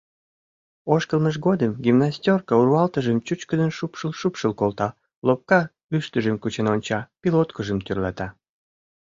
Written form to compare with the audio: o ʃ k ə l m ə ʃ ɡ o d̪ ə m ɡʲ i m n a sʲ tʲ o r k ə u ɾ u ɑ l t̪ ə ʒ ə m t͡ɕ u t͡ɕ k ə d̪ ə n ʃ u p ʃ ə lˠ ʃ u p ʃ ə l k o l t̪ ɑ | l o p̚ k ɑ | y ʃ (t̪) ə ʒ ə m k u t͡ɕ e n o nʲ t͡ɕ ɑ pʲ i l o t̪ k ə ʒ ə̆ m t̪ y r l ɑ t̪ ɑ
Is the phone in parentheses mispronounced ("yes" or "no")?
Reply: no